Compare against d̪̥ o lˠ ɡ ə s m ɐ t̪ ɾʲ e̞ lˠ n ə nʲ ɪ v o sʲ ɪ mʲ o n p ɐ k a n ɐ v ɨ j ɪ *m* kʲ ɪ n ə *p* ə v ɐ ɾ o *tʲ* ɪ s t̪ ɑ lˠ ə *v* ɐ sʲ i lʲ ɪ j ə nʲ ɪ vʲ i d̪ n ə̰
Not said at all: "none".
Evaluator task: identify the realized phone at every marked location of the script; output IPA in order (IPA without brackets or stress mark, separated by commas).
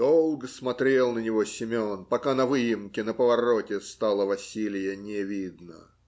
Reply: m, p, tʲ, v